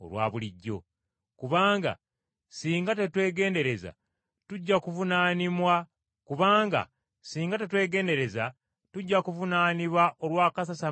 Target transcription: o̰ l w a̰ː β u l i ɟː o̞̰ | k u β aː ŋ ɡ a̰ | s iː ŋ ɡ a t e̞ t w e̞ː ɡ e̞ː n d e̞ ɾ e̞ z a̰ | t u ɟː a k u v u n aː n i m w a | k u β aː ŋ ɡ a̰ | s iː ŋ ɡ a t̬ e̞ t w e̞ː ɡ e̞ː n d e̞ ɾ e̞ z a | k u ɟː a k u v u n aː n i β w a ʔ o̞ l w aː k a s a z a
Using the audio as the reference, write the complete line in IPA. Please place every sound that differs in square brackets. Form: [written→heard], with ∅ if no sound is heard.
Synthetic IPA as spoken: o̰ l w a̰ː β u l i ɟː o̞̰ | k u β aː ŋ ɡ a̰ | s iː ŋ ɡ a t e̞ t w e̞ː ɡ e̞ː n d e̞ ɾ e̞ z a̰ | t u ɟː a k u v u n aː n i m w a | k u β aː ŋ ɡ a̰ | s iː ŋ ɡ a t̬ e̞ t w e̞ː ɡ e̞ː n d e̞ ɾ e̞ z a | [k→t] u ɟː a k u v u n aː n i β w a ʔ o̞ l w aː k a s a [z→s] a